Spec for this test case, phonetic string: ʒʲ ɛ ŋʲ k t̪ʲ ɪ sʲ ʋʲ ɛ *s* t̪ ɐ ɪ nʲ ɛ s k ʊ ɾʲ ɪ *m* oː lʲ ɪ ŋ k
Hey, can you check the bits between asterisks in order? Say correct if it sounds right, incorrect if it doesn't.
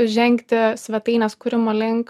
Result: incorrect: none, correct

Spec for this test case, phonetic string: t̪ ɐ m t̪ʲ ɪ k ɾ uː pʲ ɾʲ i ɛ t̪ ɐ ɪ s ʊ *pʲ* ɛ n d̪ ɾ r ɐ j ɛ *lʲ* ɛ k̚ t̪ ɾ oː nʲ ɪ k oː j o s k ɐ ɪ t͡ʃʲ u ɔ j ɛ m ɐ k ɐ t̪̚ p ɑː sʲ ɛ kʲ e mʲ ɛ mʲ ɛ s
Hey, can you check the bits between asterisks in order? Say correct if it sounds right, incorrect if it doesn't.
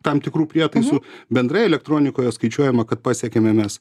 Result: incorrect: bʲ, correct

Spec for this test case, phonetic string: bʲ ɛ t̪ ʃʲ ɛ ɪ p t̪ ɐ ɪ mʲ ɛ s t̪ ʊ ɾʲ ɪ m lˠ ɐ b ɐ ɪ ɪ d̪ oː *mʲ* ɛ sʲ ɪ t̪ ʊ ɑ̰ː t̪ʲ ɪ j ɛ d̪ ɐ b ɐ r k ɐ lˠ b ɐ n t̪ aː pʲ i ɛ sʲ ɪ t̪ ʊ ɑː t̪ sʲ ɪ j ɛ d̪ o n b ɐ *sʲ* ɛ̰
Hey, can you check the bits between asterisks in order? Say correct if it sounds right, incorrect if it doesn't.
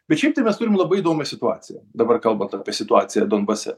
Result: correct, correct

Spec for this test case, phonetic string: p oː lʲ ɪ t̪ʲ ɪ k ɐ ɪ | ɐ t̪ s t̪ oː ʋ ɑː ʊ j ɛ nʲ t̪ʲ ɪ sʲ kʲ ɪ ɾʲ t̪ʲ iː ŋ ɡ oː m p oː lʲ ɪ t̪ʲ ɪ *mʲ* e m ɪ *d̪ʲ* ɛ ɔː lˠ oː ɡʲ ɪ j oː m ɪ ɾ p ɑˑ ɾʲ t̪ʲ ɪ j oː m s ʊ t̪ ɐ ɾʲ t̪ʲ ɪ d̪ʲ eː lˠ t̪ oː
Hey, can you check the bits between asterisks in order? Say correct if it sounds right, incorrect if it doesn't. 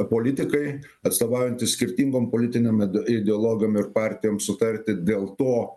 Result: incorrect: nʲ, correct

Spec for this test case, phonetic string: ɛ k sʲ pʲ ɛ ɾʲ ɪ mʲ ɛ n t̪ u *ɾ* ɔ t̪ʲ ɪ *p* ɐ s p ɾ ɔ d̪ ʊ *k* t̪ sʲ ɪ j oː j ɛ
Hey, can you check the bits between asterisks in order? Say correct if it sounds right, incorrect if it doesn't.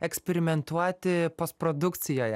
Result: incorrect: none, correct, correct

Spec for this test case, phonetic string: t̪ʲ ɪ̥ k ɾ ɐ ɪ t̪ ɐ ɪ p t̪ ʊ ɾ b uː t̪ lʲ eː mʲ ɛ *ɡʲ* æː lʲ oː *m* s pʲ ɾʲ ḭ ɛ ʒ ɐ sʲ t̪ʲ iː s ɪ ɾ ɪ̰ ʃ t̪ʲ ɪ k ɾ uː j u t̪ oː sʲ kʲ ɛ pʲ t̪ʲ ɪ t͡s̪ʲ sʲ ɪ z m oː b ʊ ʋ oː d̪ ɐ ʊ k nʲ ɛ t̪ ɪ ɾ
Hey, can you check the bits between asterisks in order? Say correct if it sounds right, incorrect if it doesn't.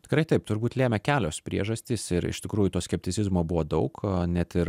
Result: incorrect: kʲ, incorrect: none

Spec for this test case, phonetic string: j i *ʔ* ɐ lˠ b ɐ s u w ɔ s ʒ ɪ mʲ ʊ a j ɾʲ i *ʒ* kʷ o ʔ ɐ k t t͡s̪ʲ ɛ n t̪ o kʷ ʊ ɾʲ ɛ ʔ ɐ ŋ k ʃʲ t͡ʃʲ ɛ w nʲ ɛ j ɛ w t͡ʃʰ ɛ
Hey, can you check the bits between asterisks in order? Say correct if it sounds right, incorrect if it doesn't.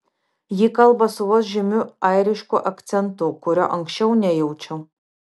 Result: incorrect: k, incorrect: ʃ

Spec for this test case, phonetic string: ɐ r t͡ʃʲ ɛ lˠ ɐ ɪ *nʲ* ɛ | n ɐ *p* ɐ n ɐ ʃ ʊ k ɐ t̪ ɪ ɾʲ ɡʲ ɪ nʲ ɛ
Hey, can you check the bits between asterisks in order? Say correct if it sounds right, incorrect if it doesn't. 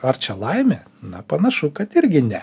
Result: incorrect: mʲ, correct

